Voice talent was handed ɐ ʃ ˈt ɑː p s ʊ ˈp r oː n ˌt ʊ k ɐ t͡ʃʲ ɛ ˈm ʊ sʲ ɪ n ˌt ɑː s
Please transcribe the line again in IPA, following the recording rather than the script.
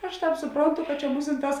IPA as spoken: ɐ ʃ ˈt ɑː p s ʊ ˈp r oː n ˌt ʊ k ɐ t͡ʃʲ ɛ ˈm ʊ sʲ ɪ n ˌt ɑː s